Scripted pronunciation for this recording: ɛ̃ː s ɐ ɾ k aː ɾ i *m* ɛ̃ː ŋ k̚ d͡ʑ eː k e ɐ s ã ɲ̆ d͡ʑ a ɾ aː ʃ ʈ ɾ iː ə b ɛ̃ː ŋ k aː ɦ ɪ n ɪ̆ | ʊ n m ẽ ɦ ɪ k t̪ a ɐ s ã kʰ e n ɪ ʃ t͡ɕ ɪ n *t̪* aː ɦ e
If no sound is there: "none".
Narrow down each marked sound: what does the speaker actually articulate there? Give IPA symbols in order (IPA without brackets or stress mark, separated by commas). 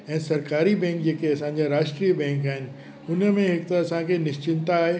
b, t̪